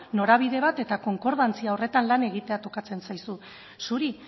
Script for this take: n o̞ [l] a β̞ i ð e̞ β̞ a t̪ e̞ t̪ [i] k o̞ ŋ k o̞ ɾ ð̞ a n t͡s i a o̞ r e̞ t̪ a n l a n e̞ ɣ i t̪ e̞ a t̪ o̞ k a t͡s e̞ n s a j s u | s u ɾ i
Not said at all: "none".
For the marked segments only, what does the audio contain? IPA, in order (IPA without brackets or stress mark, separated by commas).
ɾ, a